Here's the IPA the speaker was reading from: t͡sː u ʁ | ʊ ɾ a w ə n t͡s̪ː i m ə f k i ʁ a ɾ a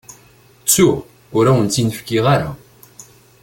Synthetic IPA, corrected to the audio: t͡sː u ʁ | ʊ ɾ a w ə n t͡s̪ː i n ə f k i ʁ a ɾ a